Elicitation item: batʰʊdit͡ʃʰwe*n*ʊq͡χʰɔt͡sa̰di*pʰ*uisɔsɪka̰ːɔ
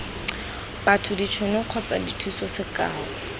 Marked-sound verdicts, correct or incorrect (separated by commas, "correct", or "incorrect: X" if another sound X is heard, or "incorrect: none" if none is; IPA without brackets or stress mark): correct, incorrect: tʰ